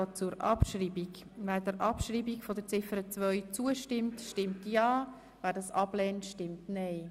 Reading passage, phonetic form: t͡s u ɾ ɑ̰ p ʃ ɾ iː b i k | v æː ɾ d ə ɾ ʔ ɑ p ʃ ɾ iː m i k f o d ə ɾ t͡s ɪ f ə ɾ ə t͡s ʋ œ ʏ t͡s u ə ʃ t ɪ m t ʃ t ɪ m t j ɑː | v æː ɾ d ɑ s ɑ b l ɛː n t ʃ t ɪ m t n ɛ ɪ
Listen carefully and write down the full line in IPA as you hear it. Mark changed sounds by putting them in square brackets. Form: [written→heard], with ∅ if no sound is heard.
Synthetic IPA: t͡s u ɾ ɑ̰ p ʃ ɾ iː b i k | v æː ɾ d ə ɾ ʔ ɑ p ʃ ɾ iː [m→b] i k f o d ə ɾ t͡s ɪ f ə ɾ ə t͡s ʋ œ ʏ t͡s u ə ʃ t ɪ m t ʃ t ɪ m t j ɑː | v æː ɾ d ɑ s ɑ b l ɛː n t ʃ t ɪ m t n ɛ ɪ

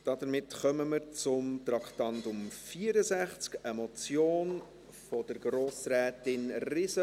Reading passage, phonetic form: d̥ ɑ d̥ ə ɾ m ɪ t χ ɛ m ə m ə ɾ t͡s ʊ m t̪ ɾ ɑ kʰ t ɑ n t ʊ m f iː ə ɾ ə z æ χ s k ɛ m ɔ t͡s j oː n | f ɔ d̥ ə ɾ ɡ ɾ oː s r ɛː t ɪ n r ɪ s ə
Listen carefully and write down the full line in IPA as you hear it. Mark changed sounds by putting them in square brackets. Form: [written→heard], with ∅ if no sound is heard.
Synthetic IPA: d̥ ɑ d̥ ə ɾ m ɪ t χ [ɛ→œ] m ə m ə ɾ t͡s ʊ m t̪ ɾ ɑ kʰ t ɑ n t ʊ m f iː ə ɾ ə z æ χ [s→t͡s] k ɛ m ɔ t͡s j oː n | f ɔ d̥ ə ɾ ɡ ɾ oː s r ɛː t ɪ n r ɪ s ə

